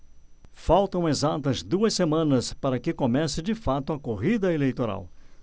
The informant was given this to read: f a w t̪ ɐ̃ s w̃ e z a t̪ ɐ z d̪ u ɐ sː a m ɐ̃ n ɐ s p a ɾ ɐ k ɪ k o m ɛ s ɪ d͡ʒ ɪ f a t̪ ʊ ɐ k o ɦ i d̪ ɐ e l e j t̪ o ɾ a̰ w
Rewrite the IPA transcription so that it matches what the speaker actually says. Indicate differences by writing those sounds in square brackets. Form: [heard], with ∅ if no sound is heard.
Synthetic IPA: f a w t̪ ɐ̃ [∅] w̃ e z a t̪ ɐ z d̪ u ɐ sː [e] m ɐ̃ n ɐ s p a ɾ ɐ k ɪ k o m ɛ s ɪ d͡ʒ ɪ f a t̪ ʊ ɐ k o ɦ i d̪ ɐ e l e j t̪ o ɾ a̰ w

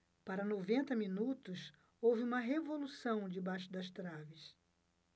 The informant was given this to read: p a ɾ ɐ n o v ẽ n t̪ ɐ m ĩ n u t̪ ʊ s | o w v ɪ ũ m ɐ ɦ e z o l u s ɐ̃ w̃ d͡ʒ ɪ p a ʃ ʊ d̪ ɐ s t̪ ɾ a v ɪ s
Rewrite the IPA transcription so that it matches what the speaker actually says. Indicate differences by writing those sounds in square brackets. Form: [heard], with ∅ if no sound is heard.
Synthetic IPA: p a ɾ ɐ n o v ẽ n t̪ ɐ m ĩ n u t̪ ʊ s | o w v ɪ ũ m ɐ ɦ e [v] o l u s ɐ̃ w̃ d͡ʒ ɪ [b] a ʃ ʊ d̪ ɐ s t̪ ɾ a v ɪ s

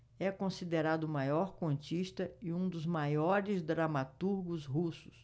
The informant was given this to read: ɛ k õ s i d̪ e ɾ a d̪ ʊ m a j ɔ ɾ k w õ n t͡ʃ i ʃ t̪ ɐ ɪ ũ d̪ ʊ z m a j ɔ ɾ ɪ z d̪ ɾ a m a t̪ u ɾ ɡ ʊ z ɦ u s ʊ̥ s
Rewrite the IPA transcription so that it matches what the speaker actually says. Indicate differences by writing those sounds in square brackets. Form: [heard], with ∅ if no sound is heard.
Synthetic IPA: ɛ k õ s i d̪ e ɾ a d̪ ʊ m a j ɔ ɾ k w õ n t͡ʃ i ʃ t̪ ɐ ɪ ũ d̪ ʊ z m a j ɔ ɾ ɪ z d̪ ɾ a m a t̪ u ɾ ɡ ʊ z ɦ u s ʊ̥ s

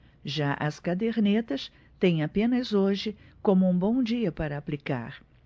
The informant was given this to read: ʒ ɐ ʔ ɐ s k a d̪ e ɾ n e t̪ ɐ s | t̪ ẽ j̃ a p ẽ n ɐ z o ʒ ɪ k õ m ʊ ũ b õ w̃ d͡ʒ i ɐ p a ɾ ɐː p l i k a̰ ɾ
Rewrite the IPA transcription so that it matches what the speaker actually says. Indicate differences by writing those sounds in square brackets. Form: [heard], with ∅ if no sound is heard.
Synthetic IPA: ʒ [a] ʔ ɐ s k a d̪ e ɾ n e t̪ ɐ s | t̪ ẽ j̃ a p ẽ n ɐ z o ʒ ɪ k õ m ʊ ũ b õ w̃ d͡ʒ i ɐ p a ɾ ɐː p l i k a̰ ɾ

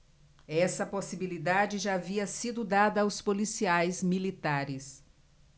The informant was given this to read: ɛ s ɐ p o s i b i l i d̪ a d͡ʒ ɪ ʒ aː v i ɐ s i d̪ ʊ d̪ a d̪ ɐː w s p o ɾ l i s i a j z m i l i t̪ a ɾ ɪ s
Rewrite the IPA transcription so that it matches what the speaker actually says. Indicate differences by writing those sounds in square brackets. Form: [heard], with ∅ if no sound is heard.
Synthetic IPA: ɛ s ɐ p o s i b i l i d̪ a d͡ʒ ɪ ʒ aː v i ɐ s i d̪ ʊ d̪ a d̪ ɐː w s p o [∅] l i s i a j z m i l i t̪ a ɾ ɪ s

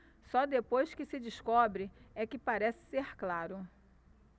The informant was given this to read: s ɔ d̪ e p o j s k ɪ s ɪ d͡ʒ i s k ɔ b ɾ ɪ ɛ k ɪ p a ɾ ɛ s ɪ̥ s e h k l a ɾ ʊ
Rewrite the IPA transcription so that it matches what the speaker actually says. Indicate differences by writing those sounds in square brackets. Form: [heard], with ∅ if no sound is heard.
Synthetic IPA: s ɔ d̪ e p o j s k ɪ s ɪ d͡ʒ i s k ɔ b ɾ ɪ ɛ k ɪ p a ɾ ɛ s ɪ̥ s e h k l a ɾ ʊ

